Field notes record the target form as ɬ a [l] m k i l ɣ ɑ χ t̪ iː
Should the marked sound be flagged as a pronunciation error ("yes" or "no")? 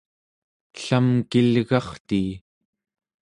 yes